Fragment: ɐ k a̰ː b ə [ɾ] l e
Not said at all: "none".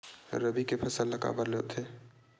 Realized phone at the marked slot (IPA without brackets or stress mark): ɾ